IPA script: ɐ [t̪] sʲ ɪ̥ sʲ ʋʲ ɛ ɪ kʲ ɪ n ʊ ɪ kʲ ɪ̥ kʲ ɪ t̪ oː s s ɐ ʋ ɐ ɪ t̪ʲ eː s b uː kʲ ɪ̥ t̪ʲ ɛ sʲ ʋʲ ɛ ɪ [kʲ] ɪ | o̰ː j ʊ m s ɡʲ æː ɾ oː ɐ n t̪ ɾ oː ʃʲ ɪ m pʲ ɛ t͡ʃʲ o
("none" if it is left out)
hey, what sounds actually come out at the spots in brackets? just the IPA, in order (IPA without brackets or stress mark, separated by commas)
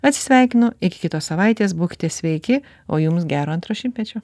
t̪, kʲ